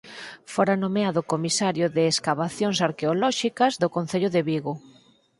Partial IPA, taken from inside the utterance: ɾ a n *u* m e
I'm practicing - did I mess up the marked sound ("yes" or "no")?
yes